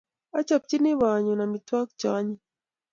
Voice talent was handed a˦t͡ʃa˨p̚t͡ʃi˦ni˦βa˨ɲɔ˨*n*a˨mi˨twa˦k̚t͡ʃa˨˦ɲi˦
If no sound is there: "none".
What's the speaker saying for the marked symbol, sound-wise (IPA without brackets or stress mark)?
n